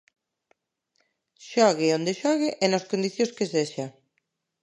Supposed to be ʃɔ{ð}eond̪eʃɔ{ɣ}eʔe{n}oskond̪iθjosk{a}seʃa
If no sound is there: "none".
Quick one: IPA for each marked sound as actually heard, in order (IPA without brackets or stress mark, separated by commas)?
ɣ, ɣ, n, e